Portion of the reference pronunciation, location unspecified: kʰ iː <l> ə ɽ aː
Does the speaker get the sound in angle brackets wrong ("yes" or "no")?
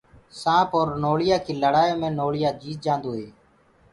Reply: no